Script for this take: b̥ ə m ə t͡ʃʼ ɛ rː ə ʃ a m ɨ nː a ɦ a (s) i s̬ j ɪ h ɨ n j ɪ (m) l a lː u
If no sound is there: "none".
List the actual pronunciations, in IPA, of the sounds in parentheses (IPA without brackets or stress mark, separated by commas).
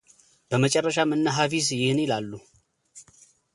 f, none